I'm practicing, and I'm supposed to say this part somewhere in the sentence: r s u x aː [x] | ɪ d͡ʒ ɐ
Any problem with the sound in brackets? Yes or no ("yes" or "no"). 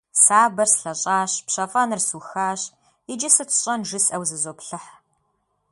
yes